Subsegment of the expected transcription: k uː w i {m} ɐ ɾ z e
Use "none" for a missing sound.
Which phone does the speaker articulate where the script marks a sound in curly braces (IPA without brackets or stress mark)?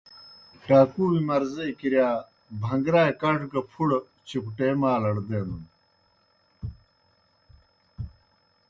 m